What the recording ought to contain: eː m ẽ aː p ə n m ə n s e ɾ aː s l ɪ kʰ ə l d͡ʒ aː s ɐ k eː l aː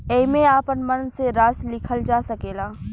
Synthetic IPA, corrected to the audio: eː m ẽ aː p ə n m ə n s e ɾ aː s l ɪ kʰ ə l d͡ʒ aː s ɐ k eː l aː